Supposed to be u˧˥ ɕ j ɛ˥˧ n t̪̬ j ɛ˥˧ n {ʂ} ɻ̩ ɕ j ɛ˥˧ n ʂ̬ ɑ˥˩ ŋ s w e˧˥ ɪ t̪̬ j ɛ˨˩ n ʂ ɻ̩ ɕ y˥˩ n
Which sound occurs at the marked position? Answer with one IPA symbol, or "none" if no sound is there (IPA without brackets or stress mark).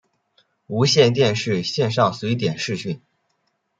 ʂ